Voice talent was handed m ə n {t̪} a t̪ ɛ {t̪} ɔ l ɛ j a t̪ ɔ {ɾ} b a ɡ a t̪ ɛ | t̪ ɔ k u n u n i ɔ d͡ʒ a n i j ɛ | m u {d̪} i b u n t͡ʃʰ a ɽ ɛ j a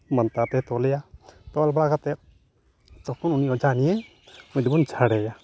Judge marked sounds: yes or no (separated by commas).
yes, yes, no, yes